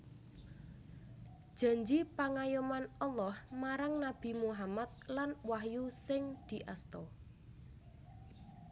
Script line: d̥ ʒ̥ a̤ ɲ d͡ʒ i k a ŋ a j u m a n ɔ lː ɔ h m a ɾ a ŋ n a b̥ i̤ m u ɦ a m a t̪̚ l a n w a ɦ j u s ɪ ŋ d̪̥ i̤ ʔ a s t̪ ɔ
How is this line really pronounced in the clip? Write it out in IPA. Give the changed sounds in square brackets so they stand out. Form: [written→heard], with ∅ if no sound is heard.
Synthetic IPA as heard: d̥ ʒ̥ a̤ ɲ d͡ʒ i [k→p] a ŋ a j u m a n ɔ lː ɔ h m a ɾ a ŋ n a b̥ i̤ m u ɦ a m a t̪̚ l a n w a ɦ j u s ɪ ŋ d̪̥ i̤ ʔ a s t̪ ɔ